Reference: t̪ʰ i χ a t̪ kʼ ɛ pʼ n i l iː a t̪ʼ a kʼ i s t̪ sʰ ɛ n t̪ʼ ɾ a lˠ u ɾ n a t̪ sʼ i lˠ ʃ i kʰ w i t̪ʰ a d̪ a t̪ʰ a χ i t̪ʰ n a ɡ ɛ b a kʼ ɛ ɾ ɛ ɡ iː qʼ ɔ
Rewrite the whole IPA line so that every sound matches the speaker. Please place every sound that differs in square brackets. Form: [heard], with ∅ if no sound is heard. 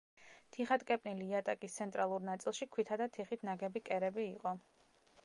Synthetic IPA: t̪ʰ i χ a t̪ kʼ ɛ pʼ n i l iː a t̪ʼ a kʼ i s t̪ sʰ ɛ n t̪ʼ ɾ a lˠ u ɾ n a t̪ sʼ i lˠ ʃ i kʰ w i t̪ʰ a d̪ a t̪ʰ [i] χ i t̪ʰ n a ɡ ɛ b [i] kʼ ɛ ɾ ɛ [b] iː qʼ ɔ

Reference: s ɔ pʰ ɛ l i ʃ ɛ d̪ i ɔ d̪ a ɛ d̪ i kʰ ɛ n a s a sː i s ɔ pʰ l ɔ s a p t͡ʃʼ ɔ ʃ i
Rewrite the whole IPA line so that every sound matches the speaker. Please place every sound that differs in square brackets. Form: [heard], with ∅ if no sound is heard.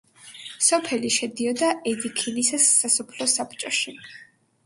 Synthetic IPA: s ɔ pʰ ɛ l i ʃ ɛ d̪ i ɔ d̪ a ɛ d̪ i kʰ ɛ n [i] s a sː [a] s ɔ pʰ l ɔ s a p t͡ʃʼ ɔ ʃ i

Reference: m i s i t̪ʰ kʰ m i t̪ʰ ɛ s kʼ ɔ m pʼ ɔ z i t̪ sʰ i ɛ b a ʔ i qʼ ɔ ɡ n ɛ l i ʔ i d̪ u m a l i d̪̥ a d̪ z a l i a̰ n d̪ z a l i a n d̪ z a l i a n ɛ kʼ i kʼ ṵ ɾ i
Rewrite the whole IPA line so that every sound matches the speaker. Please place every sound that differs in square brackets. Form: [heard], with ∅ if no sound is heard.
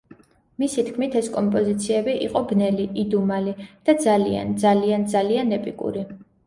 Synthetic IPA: m i s i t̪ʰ kʰ m i t̪ʰ ɛ s kʼ ɔ m pʼ ɔ z i t̪ sʰ i ɛ b [i] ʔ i qʼ ɔ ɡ n ɛ l i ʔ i d̪ u m a l i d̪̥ a d̪ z a l i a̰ n d̪ z a l i a n d̪ z a l i a n ɛ [pʼ] i kʼ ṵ ɾ i

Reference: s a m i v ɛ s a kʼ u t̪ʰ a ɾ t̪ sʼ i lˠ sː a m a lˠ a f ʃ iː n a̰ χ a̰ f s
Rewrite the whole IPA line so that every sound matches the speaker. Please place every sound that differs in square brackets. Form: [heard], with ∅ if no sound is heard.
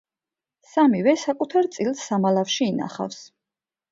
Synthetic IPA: s a m i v ɛ s a kʼ u t̪ʰ a ɾ t̪ sʼ i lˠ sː a m a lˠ a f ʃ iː n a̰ χ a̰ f s

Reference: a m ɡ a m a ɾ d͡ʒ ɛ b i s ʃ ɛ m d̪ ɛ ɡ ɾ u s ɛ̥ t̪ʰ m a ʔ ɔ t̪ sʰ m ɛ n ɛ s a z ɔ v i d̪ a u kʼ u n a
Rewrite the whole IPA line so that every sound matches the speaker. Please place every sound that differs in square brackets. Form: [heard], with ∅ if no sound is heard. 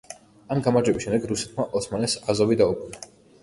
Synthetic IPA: a m ɡ a m a ɾ d͡ʒ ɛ b i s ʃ ɛ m d̪ ɛ ɡ ɾ u s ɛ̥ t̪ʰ m a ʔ ɔ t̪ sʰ m [a] n ɛ s a z ɔ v i d̪ a u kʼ u n a

